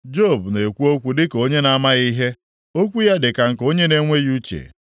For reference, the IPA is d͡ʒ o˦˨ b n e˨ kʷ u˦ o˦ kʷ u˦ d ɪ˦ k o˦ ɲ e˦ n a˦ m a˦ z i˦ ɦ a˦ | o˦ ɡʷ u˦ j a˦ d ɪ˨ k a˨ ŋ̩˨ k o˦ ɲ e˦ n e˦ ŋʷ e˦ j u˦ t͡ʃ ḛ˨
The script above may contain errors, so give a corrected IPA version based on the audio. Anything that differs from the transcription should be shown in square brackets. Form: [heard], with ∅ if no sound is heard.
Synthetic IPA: d͡ʒ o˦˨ b n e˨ kʷ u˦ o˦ kʷ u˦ d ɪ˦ k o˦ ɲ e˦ n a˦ m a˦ [ɣ] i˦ ɦ [e˦] | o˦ [kʷ] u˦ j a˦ d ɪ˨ k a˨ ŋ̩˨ k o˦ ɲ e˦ n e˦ ŋʷ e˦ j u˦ t͡ʃ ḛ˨

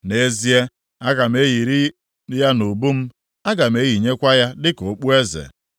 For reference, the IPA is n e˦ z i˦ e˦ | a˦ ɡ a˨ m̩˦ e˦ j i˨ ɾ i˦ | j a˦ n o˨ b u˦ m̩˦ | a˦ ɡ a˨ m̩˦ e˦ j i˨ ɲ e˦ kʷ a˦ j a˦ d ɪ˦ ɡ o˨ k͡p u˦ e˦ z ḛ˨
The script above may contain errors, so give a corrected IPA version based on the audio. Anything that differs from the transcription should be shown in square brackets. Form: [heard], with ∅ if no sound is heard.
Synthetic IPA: n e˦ z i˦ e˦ | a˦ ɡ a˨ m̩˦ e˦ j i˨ ɾ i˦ | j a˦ n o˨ b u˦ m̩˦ | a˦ ɡ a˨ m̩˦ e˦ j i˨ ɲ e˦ kʷ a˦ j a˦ d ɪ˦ [k] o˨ k͡p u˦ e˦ z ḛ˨

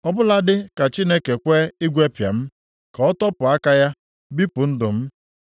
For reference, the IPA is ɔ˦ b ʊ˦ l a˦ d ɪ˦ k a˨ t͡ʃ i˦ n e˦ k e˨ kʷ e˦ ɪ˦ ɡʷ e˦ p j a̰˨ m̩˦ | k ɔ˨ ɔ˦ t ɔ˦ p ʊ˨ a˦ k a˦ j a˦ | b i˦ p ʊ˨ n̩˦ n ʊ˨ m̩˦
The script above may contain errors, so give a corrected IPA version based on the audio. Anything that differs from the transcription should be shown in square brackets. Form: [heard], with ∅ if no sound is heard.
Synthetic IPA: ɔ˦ b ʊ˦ l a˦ d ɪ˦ k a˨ t͡ʃ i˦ n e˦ k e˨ kʷ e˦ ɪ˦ ɡʷ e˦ p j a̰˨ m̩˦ | k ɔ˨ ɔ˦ t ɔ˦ p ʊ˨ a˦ k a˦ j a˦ | b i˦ p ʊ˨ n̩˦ [d] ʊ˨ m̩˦

